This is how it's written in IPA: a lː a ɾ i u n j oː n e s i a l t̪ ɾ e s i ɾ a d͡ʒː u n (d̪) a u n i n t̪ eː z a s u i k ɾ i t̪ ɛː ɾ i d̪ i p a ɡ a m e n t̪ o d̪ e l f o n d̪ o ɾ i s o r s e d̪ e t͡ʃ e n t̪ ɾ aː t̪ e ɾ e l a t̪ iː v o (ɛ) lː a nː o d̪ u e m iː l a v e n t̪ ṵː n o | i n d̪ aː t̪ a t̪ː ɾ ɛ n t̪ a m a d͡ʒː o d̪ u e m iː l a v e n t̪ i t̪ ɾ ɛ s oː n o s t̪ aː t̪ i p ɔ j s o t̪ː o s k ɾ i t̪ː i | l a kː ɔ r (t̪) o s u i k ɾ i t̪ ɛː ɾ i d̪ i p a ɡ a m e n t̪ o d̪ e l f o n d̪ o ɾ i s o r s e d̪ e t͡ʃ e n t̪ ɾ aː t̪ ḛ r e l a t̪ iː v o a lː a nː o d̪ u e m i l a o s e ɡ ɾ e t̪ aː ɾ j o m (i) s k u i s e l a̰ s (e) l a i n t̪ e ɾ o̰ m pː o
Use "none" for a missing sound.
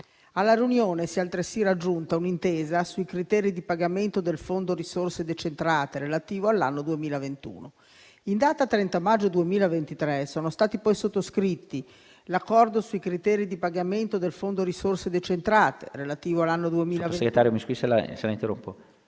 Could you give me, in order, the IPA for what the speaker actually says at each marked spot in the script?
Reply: t̪, a, d̪, i, e

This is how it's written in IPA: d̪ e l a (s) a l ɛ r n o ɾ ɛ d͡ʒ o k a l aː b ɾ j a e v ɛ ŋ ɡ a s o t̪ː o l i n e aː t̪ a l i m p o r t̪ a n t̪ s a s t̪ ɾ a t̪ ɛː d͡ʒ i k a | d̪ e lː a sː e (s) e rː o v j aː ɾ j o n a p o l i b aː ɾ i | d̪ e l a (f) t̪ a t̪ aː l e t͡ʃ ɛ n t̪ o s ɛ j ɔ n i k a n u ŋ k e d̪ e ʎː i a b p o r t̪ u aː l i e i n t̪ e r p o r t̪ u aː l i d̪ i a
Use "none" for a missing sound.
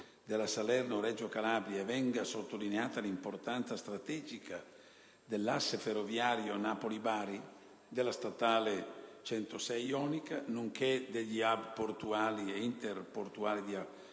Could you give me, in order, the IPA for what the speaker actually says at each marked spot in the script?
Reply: s, f, s

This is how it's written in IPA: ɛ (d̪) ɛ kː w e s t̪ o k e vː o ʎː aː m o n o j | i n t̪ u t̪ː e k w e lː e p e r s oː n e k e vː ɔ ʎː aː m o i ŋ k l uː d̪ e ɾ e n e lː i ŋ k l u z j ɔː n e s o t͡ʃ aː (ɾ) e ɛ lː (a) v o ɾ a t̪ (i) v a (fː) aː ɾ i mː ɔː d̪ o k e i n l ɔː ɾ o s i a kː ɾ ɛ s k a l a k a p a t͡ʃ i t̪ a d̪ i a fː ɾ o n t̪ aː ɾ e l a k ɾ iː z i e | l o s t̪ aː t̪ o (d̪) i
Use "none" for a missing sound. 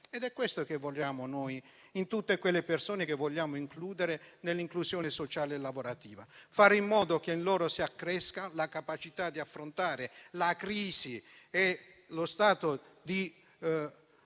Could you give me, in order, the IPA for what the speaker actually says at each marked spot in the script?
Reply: d̪, l, a, iː, f, d̪

